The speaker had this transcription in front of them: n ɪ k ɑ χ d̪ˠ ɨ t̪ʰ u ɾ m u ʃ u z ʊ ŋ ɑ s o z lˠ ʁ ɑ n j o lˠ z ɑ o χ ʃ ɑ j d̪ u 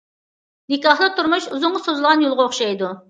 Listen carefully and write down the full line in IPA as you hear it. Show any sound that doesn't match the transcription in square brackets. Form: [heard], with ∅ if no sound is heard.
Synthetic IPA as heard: n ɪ k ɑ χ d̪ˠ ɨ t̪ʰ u ɾ m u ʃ u z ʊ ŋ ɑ s o z lˠ ʁ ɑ n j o lˠ [ʁ] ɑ o χ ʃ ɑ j d̪ u